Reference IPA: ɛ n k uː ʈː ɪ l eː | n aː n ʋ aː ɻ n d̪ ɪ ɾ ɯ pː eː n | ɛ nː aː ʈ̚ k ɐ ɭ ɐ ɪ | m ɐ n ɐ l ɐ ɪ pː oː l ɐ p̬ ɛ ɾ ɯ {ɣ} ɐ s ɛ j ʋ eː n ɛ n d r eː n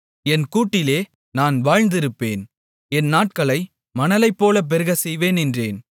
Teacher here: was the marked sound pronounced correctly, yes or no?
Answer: yes